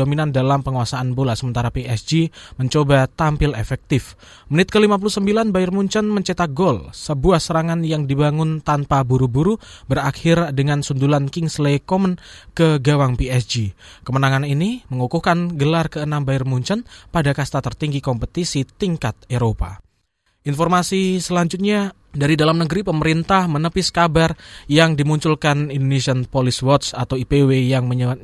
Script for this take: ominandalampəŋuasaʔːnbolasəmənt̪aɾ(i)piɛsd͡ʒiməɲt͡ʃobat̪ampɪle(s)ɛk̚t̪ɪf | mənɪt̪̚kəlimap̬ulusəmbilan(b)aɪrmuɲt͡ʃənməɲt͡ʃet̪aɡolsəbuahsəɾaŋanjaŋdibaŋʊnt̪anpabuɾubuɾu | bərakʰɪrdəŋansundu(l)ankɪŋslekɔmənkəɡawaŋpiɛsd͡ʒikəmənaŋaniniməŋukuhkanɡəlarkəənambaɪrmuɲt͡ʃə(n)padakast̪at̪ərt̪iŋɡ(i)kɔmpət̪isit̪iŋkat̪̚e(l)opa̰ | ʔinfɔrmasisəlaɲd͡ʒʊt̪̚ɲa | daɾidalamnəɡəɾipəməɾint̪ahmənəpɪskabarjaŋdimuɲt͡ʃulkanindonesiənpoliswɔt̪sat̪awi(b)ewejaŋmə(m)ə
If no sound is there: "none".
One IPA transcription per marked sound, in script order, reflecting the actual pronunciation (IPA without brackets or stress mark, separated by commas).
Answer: a, f, b, l, n, i, ɾ, p, ɲ